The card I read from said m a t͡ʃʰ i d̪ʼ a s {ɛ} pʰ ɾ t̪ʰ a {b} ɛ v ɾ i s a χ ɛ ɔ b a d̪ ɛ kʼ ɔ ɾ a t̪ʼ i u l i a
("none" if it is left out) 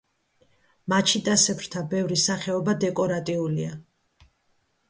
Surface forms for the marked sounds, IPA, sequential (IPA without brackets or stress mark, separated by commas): ɛ, b